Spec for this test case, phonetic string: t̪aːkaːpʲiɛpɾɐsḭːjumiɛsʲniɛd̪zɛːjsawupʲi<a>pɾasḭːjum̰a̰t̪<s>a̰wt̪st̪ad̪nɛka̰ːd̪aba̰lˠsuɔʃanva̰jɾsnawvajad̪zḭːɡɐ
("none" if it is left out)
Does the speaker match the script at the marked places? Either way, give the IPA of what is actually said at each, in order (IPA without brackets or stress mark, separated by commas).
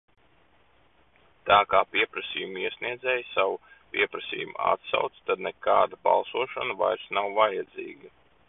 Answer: ɛ, s